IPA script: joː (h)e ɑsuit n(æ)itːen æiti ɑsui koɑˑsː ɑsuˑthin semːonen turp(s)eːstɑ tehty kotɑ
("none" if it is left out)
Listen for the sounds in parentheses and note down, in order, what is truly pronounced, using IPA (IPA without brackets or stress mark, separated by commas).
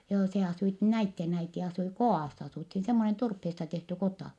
s, æ, h